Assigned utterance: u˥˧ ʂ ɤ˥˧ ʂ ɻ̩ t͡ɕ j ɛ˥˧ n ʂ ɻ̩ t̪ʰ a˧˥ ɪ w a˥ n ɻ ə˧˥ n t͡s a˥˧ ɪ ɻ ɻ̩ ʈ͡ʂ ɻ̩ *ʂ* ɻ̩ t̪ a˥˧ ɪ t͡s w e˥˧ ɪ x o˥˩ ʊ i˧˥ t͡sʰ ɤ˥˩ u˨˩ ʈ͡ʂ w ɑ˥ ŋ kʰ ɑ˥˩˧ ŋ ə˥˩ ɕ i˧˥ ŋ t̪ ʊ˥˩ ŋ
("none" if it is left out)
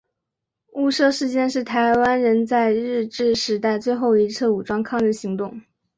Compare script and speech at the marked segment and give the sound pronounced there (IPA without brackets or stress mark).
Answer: ʂ